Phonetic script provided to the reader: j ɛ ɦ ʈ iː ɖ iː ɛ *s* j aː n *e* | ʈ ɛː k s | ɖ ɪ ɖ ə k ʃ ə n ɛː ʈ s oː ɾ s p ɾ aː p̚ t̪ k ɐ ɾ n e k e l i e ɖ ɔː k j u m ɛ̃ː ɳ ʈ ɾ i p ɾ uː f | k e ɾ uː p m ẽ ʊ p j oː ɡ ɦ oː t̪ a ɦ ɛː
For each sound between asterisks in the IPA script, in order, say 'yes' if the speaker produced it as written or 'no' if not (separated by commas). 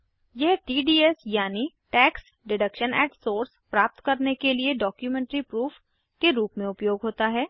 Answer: yes, no